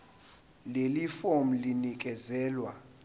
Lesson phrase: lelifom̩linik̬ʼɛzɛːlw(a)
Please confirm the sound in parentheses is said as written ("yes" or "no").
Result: yes